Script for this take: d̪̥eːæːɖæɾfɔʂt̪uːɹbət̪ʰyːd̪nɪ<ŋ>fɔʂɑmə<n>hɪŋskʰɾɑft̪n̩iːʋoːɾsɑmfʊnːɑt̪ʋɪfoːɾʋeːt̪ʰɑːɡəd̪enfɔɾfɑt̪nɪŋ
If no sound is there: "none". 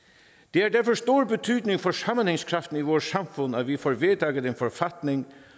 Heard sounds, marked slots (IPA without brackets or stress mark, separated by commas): ŋ, n